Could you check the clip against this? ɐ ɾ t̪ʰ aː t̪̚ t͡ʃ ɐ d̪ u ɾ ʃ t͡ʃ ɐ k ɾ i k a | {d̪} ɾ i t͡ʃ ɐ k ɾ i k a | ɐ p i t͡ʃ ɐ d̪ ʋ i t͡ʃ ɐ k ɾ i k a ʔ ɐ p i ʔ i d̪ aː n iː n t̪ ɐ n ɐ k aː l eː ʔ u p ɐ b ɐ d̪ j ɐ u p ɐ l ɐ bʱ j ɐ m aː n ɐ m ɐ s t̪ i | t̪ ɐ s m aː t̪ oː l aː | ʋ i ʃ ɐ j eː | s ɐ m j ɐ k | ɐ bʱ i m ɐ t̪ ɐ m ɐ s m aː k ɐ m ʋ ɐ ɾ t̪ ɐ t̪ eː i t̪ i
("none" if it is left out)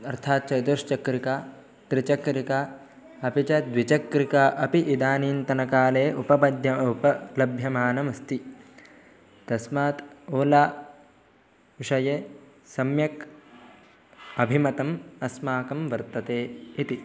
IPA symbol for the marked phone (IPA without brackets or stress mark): t̪